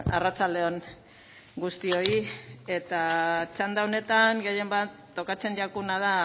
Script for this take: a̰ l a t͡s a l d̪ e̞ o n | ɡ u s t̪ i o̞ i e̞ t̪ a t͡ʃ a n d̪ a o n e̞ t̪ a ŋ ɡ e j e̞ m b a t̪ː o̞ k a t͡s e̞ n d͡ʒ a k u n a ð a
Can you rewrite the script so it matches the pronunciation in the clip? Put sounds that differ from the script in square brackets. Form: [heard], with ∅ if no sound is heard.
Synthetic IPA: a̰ [r] a t͡s a l d̪ e̞ o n | ɡ u s t̪ i o̞ i e̞ t̪ a t͡ʃ a n d̪ a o n e̞ t̪ a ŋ ɡ e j e̞ m b a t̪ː o̞ k a t͡s e̞ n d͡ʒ a k u n a ð a